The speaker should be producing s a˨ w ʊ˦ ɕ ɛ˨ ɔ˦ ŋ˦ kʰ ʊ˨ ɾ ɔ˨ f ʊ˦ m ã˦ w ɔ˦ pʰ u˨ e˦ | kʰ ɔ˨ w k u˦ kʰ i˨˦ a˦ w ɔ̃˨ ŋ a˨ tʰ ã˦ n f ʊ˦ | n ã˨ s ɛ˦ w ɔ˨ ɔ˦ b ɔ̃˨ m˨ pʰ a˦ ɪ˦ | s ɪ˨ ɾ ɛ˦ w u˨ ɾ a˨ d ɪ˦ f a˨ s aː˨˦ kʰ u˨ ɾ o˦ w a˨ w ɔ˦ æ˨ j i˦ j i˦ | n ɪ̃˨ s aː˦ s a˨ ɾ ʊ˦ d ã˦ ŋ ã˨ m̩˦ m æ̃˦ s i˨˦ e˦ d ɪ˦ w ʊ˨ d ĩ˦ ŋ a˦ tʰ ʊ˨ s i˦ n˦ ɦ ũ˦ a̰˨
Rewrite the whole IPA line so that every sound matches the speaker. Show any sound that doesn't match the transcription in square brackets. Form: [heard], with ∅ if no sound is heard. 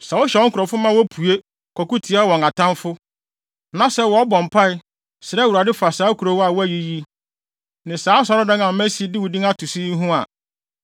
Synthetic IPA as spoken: s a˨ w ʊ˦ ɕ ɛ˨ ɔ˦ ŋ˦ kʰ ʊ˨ ɾ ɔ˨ f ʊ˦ m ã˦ w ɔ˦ pʰ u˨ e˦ | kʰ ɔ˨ [∅] k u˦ [tʰ] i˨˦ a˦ w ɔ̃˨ ŋ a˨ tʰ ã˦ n f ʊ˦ | n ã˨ s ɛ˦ w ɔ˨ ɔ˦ b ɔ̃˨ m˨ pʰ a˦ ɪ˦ | s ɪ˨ ɾ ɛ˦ w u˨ ɾ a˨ d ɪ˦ f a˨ s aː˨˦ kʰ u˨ ɾ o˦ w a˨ w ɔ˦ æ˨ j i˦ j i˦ | n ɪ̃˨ s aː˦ s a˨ ɾ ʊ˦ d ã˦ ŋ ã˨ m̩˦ m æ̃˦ s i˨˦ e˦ d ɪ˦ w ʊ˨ d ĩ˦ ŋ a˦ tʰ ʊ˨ s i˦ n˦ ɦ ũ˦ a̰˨

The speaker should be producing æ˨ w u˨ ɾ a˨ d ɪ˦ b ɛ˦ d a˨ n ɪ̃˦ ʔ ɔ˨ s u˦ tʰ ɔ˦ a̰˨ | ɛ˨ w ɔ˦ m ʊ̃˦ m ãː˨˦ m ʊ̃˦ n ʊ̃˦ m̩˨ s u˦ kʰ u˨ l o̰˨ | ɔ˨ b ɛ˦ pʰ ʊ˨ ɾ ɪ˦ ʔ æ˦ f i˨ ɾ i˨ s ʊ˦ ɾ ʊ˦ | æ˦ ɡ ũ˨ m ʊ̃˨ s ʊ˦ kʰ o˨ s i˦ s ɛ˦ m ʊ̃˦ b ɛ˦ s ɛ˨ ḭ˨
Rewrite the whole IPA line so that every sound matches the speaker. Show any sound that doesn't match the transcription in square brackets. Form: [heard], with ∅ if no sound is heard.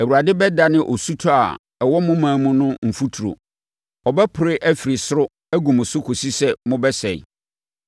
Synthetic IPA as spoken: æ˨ w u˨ ɾ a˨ d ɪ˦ b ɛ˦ d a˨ n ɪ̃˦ ʔ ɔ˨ s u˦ tʰ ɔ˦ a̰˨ | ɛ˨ w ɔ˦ m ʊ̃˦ m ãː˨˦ m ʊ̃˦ n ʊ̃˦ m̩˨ [f] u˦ [tʰ] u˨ [ɾ] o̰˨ | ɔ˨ b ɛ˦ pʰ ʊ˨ ɾ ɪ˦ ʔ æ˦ f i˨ ɾ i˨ s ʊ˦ ɾ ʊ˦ | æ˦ ɡ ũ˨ m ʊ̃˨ s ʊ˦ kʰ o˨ s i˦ s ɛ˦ m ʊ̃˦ b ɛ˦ s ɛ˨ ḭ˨

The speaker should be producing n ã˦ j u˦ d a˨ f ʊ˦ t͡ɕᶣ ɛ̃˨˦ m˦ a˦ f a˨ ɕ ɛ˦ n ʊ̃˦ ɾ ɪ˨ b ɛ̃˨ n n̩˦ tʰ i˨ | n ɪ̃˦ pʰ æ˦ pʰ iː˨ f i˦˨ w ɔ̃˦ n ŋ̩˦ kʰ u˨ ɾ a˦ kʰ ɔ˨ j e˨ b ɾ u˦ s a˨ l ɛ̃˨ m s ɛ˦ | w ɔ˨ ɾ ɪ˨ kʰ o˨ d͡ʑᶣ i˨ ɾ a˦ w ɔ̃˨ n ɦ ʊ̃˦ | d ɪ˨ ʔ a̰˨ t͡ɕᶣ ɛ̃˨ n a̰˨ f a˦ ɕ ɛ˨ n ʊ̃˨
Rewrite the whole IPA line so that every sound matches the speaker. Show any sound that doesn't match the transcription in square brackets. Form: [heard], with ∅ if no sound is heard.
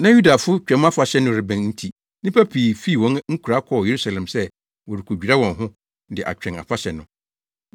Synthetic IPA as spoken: n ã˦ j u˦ d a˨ f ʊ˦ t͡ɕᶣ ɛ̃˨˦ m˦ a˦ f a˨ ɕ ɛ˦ n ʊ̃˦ ɾ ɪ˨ b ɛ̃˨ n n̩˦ tʰ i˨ | n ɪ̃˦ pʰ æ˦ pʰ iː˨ f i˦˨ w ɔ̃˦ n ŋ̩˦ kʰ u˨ ɾ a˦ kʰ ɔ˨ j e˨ [∅] ɾ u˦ s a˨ l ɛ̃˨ m s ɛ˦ | w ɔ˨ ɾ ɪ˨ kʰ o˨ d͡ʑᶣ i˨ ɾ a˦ w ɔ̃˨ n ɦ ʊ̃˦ | d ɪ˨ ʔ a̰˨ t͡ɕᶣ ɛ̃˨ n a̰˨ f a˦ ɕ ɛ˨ n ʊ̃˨

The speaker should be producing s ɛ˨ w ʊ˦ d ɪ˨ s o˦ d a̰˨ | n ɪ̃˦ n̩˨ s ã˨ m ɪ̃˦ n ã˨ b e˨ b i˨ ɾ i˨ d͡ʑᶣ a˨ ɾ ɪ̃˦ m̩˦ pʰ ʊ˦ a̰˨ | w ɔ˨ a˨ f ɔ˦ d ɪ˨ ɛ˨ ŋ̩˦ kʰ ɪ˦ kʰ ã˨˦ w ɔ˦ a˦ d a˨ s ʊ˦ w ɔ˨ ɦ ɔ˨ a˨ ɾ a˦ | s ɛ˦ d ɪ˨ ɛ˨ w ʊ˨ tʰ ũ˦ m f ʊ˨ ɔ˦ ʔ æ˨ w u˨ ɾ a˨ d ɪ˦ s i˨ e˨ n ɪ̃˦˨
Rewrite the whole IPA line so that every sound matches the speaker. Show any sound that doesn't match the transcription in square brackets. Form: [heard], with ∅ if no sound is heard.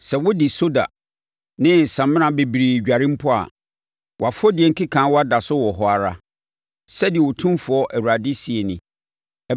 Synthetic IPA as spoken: s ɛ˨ w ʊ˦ d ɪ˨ s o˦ d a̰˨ | n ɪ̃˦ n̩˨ s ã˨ m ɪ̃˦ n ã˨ b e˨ b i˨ ɾ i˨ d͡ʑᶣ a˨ ɾ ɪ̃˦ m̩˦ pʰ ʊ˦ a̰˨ | w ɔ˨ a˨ f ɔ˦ d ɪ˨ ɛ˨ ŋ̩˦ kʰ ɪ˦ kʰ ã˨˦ w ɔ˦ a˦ d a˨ s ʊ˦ w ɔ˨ ɦ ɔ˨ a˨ ɾ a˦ | s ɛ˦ d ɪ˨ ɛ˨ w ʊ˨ tʰ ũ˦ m f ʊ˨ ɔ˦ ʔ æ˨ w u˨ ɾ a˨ d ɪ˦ s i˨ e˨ n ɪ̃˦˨

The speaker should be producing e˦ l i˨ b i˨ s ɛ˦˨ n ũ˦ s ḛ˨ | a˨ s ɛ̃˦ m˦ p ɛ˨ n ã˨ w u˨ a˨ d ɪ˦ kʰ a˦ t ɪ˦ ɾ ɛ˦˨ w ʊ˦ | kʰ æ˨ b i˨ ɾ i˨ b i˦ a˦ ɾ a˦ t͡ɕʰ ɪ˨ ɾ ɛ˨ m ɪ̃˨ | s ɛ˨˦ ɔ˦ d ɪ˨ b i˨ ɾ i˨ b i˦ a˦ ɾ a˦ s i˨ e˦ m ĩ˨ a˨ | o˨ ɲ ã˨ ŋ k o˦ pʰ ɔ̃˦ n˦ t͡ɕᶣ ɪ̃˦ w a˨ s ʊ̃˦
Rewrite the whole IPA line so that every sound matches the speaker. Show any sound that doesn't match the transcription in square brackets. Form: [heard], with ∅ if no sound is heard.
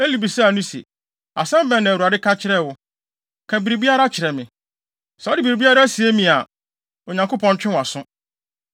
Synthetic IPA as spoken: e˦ l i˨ b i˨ s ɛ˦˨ n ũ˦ s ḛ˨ | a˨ s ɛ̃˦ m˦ [b] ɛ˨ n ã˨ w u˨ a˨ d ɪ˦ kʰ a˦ [t͡ɕʰ] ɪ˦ ɾ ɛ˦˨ w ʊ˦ | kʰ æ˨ b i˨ ɾ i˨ b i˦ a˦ ɾ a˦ t͡ɕʰ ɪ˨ ɾ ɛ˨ m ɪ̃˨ | s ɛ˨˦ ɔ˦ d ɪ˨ b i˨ ɾ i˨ b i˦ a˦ ɾ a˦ s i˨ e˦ m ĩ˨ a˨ | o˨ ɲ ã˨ ŋ k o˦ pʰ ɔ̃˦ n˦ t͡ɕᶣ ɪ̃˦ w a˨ s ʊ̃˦

